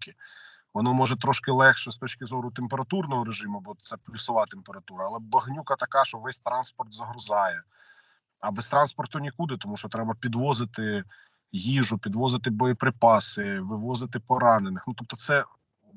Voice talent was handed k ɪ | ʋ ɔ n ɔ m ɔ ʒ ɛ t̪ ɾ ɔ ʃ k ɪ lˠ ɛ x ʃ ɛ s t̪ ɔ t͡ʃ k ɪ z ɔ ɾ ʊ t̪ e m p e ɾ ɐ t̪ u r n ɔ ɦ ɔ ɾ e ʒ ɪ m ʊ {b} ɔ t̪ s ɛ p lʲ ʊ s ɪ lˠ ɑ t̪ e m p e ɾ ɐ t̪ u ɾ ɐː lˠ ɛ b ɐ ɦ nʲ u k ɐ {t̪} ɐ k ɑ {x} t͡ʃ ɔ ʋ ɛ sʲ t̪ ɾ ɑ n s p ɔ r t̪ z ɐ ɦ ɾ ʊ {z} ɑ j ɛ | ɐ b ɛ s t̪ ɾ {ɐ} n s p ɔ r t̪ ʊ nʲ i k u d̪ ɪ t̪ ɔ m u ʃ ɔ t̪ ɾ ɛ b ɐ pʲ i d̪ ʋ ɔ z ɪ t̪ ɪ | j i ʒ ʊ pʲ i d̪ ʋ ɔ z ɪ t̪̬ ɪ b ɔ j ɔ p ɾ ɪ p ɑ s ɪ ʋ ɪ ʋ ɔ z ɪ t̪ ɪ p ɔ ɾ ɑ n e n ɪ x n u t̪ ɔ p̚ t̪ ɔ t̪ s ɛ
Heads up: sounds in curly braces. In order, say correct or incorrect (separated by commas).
correct, correct, incorrect, correct, incorrect